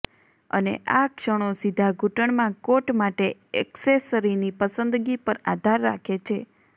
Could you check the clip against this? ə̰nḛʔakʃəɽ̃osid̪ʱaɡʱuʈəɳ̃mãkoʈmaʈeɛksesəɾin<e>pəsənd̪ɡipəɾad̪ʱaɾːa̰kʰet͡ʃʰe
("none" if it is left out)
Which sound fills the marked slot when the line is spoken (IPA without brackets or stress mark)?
i